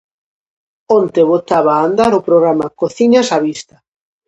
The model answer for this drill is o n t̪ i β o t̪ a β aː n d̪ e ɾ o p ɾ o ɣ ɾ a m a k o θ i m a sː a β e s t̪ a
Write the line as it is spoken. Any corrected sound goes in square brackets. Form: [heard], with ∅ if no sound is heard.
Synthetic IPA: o n t̪ [e] β o t̪ a β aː n d̪ [a] ɾ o p ɾ o ɣ ɾ a m a k o θ i [ɲ] a [s] a β [i] s t̪ a